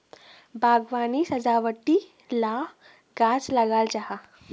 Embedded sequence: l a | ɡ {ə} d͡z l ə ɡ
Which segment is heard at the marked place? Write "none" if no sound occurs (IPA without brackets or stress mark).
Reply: a